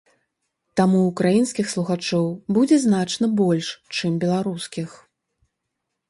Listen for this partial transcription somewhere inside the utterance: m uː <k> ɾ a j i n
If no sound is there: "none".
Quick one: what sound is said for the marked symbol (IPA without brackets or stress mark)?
k